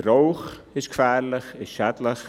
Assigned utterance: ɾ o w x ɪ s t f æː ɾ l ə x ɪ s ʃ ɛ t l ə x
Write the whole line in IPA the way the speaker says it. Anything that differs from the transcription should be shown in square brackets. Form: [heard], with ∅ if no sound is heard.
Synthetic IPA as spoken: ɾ o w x ɪ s [k] f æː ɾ l ə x ɪ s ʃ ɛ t l ə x